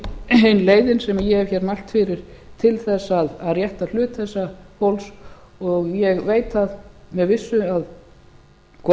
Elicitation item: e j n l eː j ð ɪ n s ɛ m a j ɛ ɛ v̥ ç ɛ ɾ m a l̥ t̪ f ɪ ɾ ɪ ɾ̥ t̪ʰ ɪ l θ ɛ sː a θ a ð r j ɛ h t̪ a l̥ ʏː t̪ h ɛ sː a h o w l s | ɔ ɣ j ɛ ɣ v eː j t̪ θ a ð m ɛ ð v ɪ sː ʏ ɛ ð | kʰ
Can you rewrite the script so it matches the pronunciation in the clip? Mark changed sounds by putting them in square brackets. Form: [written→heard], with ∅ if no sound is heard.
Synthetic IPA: e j n l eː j ð ɪ n s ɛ m a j ɛ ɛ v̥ ç ɛ ɾ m a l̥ t̪ f ɪ ɾ ɪ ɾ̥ t̪ʰ ɪ l θ ɛ sː a [θ→ð] a ð r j ɛ h t̪ a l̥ ʏː t̪ [h→θ] ɛ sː a h o w l s | ɔ ɣ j ɛ ɣ v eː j t̪ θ a ð m ɛ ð v ɪ sː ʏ [ɛ→a] ð | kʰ